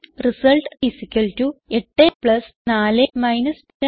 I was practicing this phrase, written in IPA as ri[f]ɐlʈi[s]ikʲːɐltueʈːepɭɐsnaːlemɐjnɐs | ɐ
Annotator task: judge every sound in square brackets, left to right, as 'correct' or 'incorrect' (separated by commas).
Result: incorrect, correct